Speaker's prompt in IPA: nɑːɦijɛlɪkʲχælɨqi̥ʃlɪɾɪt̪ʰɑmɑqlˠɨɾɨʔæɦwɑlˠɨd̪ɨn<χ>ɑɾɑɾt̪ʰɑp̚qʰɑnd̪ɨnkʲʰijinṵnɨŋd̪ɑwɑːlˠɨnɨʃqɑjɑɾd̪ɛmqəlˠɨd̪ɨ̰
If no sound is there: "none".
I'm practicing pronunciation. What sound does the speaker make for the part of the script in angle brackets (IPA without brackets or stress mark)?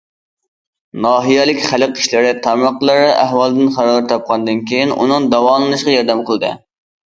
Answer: χ